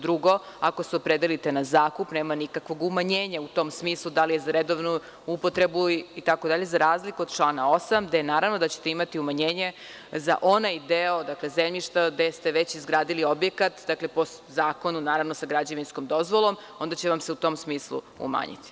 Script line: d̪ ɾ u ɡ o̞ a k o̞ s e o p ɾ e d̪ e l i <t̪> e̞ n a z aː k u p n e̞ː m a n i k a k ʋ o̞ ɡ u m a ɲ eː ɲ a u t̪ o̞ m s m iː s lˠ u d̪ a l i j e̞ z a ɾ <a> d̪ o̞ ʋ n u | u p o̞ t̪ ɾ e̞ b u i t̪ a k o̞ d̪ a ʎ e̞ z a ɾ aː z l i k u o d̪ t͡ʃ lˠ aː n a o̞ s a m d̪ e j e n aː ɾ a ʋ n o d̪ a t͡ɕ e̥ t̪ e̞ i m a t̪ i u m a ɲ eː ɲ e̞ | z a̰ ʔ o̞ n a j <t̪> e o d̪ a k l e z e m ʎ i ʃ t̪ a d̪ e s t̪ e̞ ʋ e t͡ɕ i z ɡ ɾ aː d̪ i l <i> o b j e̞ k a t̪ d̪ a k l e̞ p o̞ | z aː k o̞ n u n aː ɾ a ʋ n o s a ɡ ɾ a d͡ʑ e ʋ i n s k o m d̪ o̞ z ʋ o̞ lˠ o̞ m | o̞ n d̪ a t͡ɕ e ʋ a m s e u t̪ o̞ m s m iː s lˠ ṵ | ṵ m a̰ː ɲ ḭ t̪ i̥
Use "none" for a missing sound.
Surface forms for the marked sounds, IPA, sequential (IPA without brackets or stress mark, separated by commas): t̪, e, d̪, i